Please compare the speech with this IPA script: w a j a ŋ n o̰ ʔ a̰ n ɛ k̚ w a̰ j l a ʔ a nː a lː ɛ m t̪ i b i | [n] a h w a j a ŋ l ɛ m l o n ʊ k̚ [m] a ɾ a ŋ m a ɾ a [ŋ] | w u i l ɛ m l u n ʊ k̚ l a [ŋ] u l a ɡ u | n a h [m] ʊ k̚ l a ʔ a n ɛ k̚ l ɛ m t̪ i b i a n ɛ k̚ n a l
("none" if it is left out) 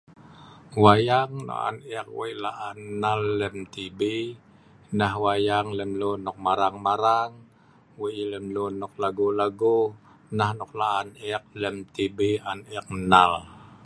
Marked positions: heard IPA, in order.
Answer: n, m, ŋ, ɡ, n

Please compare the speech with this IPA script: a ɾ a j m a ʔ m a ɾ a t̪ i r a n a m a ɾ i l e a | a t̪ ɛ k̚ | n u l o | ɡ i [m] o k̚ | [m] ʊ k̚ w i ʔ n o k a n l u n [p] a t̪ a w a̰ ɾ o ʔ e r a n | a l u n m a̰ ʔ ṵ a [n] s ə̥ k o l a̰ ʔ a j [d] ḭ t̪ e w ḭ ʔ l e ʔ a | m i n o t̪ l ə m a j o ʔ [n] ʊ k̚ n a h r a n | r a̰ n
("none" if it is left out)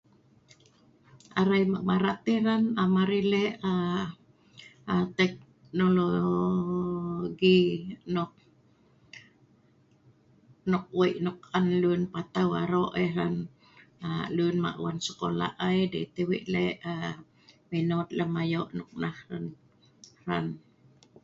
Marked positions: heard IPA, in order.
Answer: n, n, p, n, d, n

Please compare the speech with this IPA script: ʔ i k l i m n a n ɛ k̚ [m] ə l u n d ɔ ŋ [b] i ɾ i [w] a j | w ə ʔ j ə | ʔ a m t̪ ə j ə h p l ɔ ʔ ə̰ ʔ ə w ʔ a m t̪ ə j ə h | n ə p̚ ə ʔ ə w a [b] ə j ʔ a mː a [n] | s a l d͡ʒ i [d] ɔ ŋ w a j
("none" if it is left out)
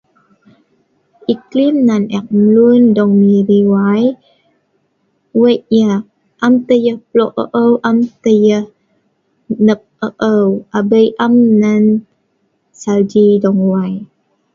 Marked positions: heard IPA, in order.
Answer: m, m, w, b, n, d

